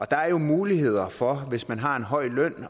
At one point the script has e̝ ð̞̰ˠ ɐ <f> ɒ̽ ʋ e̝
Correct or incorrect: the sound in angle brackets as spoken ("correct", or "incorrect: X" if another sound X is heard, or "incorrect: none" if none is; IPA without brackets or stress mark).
correct